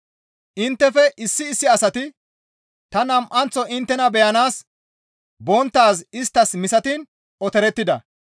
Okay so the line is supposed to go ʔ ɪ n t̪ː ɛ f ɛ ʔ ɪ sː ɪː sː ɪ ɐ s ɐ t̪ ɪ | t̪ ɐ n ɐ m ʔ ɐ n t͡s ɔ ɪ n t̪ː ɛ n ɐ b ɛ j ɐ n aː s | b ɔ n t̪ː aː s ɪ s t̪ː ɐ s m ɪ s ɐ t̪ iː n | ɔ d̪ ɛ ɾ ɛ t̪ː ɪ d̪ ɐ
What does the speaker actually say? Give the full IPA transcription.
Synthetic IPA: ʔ ɪ n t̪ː ɛ f ɛ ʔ ɪ sː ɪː sː ɪ ɐ s ɐ t̪ ɪ | t̪ ɐ n ɐ m ʔ ɐ n t͡s ɔ ɪ n t̪ː ɛ n ɐ b ɛ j ɐ n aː s | b ɔ n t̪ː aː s ɪ s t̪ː ɐ s m ɪ s ɐ t̪ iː n | ɔ t̪ ɛ ɾ ɛ t̪ː ɪ d̪ ɐ